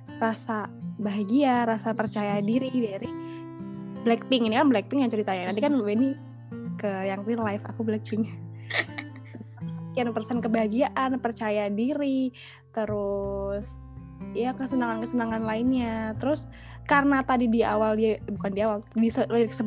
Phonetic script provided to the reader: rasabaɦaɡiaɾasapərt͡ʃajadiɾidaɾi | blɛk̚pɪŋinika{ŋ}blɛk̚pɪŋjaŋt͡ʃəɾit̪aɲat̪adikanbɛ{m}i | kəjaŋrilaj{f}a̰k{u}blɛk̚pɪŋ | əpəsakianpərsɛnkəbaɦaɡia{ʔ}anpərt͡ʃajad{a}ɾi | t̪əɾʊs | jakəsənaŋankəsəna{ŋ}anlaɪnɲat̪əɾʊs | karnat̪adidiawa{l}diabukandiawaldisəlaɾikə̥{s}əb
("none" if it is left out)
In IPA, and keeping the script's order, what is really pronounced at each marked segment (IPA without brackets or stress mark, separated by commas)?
n, n, f, u, ʔ, i, ŋ, l, s